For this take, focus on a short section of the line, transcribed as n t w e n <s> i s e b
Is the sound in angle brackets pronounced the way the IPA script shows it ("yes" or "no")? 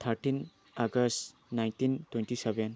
no